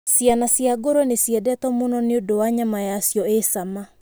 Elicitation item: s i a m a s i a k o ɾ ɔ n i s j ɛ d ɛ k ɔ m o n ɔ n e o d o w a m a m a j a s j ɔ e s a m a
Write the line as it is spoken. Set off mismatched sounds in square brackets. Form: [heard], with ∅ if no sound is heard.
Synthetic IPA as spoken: s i a [n] a s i a [ɡ] o ɾ ɔ n [e] s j ɛ d ɛ [t] ɔ m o n ɔ n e o d o w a [ɲ] a m a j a s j ɔ e s a m a

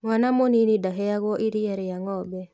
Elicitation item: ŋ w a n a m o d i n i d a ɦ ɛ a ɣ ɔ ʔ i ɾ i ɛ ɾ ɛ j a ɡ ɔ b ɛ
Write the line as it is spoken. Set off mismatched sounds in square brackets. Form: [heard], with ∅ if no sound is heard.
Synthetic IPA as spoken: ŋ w a n a m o [n] i n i d a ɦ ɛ a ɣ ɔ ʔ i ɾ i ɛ ɾ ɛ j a [ŋ] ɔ b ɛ

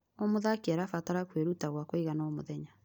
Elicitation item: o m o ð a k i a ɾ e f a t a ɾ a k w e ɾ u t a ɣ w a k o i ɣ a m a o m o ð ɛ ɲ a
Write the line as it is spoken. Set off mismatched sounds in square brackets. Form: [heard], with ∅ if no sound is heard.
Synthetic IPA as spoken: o m o ð a k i a ɾ [a] f a t a ɾ a k w e ɾ u t a ɣ w a k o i ɣ a [n] a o m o ð ɛ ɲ a

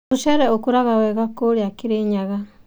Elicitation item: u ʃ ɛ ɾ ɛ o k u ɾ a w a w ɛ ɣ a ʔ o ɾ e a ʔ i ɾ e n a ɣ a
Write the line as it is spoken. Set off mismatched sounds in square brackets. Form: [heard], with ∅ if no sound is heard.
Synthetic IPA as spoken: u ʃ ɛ ɾ ɛ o k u ɾ a [ɣ] a w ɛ ɣ a [k] o ɾ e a [k] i ɾ e [ɲ] a ɣ a

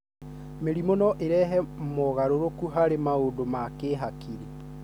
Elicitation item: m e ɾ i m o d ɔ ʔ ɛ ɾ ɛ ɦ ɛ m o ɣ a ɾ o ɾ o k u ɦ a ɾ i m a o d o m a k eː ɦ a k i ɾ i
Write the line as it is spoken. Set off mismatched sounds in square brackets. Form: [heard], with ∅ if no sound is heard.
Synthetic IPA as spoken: m e ɾ i m o [n] ɔ ʔ [e] ɾ ɛ ɦ ɛ m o ɣ a ɾ o ɾ o k u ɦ a ɾ [e] m a o d o m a k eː ɦ a k i ɾ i

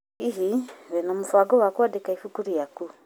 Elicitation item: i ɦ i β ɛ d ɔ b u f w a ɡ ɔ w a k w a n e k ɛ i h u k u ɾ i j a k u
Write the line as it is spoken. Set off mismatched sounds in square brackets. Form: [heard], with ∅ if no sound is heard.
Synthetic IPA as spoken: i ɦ i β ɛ [n] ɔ [m] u f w a ɡ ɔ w a k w a [d] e k [a] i [f] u k u ɾ i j a k u

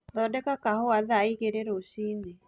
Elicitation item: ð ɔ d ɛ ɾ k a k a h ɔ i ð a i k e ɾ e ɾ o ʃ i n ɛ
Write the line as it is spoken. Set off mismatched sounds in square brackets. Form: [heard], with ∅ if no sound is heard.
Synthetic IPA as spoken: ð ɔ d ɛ [∅] k a k a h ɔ [a] ð a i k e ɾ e ɾ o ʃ i n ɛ

